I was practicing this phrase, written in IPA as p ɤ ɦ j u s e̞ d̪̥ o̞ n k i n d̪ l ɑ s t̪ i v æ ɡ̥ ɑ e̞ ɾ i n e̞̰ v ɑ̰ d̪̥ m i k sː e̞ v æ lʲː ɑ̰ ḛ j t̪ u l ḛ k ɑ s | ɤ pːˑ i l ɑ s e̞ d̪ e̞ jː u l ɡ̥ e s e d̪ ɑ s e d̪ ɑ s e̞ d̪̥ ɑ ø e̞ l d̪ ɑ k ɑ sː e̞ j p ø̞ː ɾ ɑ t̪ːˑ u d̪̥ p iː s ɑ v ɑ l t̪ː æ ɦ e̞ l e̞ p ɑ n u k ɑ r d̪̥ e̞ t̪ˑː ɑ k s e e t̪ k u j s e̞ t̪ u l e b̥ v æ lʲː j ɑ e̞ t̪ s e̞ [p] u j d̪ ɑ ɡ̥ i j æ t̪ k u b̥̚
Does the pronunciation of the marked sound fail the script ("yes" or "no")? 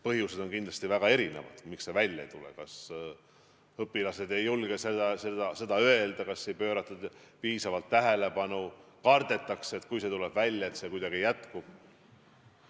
yes